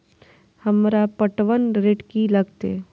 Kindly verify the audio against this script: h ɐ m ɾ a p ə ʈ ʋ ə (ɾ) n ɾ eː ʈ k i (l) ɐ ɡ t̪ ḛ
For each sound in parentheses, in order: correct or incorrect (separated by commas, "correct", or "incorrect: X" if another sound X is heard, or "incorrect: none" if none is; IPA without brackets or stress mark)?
incorrect: none, correct